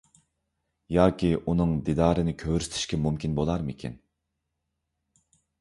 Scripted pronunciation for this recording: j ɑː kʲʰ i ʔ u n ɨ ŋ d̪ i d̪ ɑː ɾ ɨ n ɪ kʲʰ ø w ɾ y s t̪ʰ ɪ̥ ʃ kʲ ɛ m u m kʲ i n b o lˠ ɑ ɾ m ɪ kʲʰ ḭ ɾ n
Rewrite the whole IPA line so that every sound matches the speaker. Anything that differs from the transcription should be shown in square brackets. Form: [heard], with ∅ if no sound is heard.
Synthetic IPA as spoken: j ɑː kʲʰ i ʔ u n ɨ ŋ d̪ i d̪ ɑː ɾ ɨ n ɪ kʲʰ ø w ɾ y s t̪ʰ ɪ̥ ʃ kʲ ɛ m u m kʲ i n b o lˠ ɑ ɾ m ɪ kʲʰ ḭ [∅] n

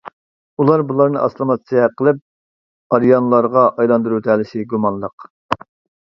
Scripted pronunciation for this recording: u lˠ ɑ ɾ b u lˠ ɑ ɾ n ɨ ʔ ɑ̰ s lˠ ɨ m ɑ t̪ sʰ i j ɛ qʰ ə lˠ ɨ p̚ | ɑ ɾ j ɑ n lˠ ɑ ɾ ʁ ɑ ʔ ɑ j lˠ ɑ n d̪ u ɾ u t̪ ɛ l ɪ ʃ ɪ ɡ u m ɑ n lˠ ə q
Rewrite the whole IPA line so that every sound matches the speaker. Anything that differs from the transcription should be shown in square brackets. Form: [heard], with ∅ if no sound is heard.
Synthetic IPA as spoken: u lˠ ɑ ɾ b u lˠ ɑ ɾ n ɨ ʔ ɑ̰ s lˠ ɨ m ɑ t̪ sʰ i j ɛ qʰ ə lˠ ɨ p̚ | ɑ ɾ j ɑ n lˠ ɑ ɾ ʁ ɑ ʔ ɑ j lˠ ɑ n d̪ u ɾ u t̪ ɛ l ɪ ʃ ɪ ɡ u m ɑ n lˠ ə q

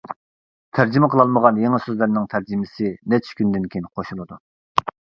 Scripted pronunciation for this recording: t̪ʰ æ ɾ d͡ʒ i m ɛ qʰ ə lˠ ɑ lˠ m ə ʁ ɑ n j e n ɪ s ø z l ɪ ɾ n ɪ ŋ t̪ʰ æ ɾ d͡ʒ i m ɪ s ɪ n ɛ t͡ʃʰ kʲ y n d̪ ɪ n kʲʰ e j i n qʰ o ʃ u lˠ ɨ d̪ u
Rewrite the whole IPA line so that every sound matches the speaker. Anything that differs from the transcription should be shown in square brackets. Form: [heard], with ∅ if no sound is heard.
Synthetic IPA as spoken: t̪ʰ æ ɾ d͡ʒ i m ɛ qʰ ə lˠ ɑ lˠ m ə ʁ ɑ n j e [ŋ] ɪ s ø z l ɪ ɾ n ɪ ŋ t̪ʰ æ ɾ d͡ʒ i m ɪ s ɪ n ɛ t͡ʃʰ kʲ y n d̪ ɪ n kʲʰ e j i n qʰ o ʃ u lˠ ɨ d̪ u

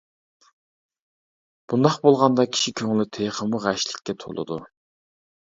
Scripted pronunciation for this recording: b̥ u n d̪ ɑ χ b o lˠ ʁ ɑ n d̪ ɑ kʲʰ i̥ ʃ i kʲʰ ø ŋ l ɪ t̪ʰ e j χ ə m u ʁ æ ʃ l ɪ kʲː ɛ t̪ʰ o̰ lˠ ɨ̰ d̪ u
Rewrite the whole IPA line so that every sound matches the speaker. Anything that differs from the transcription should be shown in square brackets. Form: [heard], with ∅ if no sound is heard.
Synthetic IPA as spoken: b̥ u n d̪ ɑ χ b o lˠ ʁ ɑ n d̪ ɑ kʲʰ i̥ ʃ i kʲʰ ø ŋ l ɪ t̪ʰ e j χ ə m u ʁ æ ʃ l ɪ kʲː ɛ t̪ʰ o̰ lˠ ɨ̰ d̪ u

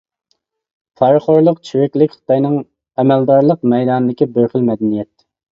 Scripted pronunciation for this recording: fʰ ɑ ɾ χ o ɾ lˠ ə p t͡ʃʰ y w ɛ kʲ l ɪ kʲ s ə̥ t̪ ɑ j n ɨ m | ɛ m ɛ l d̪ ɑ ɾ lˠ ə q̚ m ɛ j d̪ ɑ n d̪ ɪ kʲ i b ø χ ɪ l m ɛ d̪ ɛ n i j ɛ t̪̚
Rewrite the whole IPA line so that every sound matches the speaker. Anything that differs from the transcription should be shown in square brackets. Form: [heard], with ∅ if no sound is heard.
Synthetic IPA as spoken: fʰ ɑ ɾ χ o ɾ lˠ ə [q] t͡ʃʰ y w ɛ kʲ l ɪ kʲ [χ] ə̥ t̪ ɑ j n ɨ [ŋ] | ɛ m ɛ l d̪ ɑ ɾ lˠ ə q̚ m ɛ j d̪ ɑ n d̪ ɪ kʲ i b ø χ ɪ l m ɛ d̪ ɛ n i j ɛ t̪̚

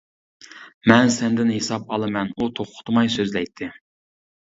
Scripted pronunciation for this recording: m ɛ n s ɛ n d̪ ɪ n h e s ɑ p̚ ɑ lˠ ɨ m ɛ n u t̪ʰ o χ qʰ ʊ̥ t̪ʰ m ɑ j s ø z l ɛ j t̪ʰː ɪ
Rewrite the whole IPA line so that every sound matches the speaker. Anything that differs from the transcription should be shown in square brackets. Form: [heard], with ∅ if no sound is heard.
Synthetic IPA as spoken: m ɛ n s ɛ n d̪ ɪ n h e s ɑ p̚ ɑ lˠ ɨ m ɛ n u t̪ʰ o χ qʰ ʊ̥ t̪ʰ m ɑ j s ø z l ɛ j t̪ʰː ɪ

